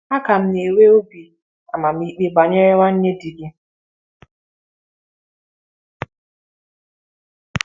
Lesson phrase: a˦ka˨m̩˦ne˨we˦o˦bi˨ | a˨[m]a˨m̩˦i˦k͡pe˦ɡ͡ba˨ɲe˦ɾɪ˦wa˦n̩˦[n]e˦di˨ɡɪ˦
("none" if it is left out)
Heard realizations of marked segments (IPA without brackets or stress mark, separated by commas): m, ɲ